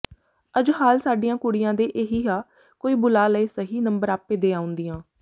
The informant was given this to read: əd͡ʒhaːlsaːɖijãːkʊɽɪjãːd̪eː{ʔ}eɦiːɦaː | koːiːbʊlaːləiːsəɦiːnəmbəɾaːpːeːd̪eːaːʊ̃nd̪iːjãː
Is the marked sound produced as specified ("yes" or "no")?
yes